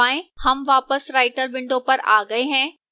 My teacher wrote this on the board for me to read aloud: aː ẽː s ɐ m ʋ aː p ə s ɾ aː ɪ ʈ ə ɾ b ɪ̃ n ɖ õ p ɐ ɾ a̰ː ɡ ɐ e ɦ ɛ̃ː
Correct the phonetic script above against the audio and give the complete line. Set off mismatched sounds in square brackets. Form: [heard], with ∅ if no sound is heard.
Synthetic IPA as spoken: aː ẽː [h] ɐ m ʋ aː p ə s ɾ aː ɪ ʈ ə ɾ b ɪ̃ [ɳ] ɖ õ p ɐ ɾ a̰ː ɡ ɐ e ɦ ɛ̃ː